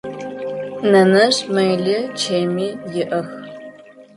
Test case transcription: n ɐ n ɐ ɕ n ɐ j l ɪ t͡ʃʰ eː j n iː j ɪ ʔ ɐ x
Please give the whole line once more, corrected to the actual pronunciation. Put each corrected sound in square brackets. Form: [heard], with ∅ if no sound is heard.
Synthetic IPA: n ɐ n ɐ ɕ [m] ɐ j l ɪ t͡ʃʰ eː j [m] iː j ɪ ʔ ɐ x